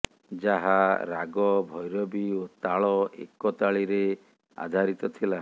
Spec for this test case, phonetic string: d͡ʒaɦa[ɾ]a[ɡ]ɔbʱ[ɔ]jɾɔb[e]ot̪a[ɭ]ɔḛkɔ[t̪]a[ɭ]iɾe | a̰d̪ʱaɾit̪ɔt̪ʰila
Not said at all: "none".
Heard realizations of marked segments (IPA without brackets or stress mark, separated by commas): ɾ, ɡ, ɔ, i, ɭ, t̪, ɭ